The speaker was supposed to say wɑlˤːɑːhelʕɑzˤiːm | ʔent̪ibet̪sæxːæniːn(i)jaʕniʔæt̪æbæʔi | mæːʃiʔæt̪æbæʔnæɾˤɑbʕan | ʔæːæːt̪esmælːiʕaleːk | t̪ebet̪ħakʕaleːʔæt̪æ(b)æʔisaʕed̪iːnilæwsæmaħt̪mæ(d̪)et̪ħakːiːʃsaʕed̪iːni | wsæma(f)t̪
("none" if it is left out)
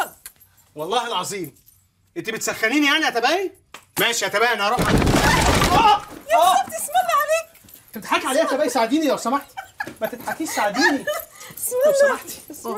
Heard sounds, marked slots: i, b, t̪, ħ

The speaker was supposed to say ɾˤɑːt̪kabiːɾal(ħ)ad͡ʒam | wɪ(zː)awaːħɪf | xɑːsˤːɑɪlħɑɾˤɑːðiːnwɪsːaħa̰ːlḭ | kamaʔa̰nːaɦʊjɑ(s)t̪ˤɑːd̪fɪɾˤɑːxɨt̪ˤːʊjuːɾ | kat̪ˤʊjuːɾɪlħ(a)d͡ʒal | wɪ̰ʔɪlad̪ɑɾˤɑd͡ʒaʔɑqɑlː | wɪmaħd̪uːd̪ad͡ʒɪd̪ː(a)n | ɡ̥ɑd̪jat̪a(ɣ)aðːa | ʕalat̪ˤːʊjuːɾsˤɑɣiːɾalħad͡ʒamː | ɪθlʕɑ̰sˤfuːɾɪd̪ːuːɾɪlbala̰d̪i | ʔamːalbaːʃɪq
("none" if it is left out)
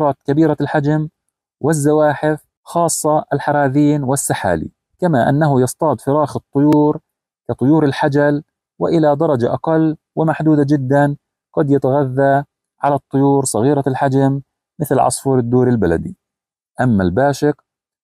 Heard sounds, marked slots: ħ, zː, s, a, a, ɣ

